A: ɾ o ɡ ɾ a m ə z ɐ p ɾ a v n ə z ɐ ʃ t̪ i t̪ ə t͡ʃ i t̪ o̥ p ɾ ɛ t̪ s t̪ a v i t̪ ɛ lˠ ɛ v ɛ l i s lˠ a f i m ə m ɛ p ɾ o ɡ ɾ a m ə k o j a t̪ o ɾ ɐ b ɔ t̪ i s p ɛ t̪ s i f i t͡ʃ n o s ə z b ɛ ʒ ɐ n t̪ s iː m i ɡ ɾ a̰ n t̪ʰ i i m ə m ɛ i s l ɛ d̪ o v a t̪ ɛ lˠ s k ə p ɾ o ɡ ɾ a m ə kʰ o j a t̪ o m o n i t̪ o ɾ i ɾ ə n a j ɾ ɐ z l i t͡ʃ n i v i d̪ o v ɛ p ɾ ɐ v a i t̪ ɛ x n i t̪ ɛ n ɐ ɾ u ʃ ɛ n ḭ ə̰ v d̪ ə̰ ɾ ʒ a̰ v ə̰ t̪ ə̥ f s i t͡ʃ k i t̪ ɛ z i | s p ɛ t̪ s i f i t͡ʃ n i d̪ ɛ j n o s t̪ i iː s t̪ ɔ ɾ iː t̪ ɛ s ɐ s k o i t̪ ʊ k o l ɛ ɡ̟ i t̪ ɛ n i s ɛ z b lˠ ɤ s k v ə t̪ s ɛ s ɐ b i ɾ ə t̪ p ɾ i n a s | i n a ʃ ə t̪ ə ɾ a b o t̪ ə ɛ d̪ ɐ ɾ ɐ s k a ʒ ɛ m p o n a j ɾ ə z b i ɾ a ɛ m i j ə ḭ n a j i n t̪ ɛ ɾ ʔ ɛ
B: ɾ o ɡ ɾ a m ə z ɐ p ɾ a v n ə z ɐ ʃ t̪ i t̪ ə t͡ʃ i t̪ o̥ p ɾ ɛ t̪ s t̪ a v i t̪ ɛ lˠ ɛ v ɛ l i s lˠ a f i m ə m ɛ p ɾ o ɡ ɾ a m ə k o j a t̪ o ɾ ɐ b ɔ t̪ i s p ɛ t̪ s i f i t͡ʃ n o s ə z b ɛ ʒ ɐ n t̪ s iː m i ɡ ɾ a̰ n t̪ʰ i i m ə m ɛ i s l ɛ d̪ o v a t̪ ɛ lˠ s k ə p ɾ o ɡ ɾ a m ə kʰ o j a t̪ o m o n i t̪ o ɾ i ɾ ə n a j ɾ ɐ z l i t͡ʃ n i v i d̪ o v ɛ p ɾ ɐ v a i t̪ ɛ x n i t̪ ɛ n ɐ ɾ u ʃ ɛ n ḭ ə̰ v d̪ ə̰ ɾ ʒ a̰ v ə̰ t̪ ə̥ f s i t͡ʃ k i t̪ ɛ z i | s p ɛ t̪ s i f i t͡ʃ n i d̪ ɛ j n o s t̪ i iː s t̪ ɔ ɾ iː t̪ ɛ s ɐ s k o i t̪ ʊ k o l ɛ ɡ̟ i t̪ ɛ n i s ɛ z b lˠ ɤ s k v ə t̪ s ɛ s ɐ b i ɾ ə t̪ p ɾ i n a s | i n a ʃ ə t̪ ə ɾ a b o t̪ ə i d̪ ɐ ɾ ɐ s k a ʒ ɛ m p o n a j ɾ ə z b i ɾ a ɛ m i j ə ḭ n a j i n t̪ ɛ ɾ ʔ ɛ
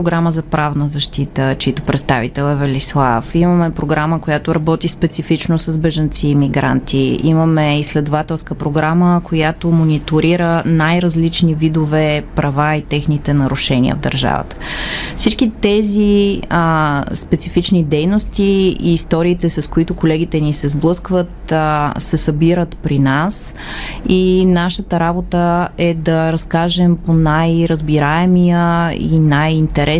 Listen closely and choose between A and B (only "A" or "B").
A